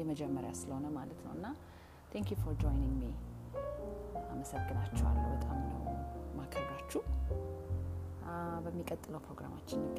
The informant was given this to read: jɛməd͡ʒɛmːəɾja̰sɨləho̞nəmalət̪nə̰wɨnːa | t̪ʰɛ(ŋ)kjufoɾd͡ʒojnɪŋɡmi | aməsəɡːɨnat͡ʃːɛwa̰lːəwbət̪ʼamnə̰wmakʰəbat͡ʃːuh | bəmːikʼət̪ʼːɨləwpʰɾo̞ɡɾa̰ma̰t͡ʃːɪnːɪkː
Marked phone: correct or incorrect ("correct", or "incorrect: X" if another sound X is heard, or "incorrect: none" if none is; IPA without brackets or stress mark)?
correct